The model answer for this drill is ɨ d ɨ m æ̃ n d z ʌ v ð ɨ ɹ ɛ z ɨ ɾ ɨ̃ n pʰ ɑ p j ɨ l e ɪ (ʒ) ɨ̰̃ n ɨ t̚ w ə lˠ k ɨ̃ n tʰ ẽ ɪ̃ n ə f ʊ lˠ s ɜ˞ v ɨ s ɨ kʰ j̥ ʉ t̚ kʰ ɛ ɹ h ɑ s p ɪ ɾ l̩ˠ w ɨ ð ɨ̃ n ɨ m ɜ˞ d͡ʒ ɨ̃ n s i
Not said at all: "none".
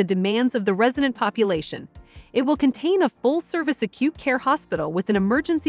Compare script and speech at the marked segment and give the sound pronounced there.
ʃ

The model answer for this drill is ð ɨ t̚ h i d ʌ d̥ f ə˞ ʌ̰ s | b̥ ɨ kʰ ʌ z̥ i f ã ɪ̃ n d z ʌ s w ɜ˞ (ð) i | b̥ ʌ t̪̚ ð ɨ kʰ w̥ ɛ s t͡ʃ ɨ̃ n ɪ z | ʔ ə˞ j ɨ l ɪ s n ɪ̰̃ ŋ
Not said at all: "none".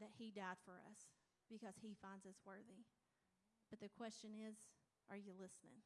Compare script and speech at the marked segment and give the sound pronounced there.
ð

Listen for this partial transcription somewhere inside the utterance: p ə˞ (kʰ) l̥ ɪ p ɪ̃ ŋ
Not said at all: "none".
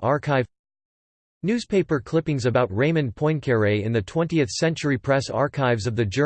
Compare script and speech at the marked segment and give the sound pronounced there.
kʰ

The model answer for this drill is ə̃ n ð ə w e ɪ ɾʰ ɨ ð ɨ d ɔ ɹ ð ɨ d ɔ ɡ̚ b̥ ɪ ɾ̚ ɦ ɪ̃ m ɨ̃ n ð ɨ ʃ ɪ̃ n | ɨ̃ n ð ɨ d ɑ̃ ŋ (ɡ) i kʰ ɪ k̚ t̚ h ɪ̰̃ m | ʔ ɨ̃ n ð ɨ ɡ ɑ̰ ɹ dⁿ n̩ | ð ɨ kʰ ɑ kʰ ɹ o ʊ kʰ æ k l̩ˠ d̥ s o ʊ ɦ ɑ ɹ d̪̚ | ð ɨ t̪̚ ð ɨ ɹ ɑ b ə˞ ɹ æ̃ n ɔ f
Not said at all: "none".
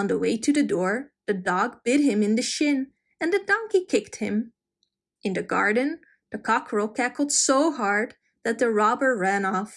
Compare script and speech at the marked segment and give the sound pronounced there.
k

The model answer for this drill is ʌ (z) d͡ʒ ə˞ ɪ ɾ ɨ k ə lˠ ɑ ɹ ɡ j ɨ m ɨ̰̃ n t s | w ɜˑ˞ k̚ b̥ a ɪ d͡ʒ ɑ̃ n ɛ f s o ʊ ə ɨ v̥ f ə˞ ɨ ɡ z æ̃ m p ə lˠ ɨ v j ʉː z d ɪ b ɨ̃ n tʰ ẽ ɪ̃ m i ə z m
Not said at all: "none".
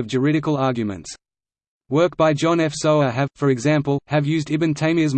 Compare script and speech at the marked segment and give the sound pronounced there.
v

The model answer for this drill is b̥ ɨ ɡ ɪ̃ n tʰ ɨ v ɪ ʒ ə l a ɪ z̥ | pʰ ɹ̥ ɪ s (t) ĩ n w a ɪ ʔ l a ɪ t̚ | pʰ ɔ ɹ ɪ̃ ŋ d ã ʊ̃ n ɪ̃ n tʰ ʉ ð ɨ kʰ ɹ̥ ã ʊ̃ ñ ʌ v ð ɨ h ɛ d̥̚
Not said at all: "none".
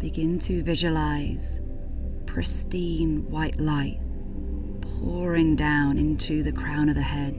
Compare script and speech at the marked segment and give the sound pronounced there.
t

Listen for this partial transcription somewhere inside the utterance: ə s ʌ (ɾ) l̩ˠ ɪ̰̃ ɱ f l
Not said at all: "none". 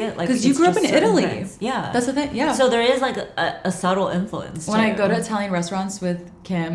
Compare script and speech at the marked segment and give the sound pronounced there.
ɾ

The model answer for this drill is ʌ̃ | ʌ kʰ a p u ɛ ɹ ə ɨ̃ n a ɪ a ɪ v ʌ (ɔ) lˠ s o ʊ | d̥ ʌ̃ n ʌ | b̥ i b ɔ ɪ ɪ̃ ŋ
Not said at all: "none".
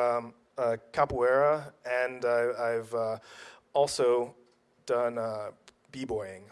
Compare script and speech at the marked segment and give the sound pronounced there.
ɔ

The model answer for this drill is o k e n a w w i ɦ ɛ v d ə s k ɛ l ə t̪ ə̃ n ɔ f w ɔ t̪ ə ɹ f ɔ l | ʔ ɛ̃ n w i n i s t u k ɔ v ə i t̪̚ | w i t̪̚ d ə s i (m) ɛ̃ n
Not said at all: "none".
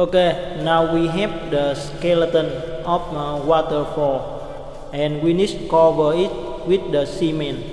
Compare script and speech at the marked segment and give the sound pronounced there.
m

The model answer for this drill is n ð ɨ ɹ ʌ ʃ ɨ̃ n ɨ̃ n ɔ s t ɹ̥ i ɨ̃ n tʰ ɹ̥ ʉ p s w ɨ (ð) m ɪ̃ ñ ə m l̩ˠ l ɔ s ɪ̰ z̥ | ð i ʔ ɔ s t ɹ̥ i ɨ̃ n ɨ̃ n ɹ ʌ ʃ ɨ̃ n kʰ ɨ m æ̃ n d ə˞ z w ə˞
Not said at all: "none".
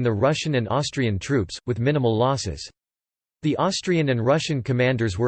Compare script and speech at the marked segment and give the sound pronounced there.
ð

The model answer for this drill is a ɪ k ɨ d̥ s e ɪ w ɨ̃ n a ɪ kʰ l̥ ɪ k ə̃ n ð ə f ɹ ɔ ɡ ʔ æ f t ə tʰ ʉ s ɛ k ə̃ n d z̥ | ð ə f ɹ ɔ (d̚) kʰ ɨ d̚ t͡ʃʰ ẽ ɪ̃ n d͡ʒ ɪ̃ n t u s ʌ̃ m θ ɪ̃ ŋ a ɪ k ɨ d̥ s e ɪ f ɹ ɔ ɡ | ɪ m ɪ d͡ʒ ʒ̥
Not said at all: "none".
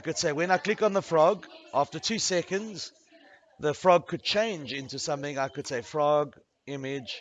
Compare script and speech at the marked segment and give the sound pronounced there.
ɡ̚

